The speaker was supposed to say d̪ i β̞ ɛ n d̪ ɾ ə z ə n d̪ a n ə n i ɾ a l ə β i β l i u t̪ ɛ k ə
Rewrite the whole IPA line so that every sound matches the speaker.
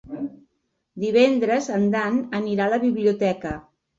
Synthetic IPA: d̪ i β̞ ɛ n d̪ ɾ ə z ə n d̪ a n ə n i ɾ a l ə β i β l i u t̪ ɛ k ə